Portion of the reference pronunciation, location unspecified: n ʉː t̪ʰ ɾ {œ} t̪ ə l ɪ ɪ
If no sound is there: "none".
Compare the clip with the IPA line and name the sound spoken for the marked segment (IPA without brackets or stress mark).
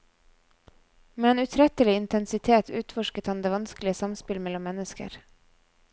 ɛ